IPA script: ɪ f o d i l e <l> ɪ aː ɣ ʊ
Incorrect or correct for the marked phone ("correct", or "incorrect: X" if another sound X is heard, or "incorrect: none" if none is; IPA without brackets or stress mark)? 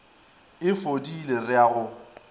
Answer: incorrect: r